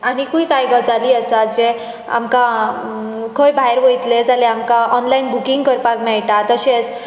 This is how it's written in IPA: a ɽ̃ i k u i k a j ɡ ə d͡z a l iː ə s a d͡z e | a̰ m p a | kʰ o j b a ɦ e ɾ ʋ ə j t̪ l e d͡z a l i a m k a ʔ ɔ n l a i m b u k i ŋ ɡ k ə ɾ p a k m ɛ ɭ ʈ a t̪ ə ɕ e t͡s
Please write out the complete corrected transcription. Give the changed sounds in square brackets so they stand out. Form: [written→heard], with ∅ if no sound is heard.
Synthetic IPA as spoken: a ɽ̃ i k u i k a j ɡ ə d͡z a l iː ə s a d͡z e | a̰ m [p→k] a | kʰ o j b a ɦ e ɾ ʋ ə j t̪ l e d͡z a l [i→e] a m k a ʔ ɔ n l a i [m→n] b u k i ŋ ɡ k ə ɾ p a k m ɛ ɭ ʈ a t̪ ə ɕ e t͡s